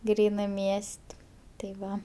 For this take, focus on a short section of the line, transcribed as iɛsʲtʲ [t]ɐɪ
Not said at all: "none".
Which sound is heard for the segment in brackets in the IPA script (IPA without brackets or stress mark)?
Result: t